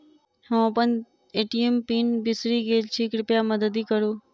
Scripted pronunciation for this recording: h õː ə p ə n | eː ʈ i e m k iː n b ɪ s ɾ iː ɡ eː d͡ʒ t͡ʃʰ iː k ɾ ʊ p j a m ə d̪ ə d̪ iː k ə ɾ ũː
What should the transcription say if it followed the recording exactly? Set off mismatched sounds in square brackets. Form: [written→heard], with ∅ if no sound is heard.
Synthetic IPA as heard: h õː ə p ə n | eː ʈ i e m [k→p] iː n b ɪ s ɾ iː ɡ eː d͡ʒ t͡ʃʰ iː k ɾ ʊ p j a m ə d̪ ə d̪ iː k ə ɾ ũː